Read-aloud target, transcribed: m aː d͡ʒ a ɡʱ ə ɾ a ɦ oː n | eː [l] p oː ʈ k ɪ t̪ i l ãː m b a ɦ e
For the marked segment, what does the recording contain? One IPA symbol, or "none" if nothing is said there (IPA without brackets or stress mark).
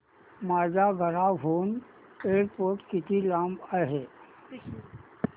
ɾ